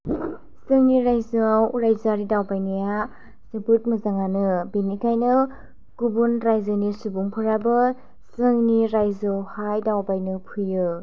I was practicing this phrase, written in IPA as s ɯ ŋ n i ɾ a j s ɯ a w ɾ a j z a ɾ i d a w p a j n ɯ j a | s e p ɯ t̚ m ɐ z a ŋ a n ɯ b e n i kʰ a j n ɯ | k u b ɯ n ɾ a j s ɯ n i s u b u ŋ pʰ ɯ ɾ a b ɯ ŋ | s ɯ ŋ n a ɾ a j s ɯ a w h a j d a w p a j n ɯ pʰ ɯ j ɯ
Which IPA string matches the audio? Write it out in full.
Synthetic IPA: s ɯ ŋ n i ɾ a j z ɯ a w ɾ a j z a ɾ i d a w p a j n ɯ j a | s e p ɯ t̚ m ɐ z a ŋ a n ɯ b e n i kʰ a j n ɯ | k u b u n ɾ a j z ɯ n i s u b u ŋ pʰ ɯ ɾ a b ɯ | s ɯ ŋ n i ɾ a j z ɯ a w h a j d a w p a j n ɯ pʰ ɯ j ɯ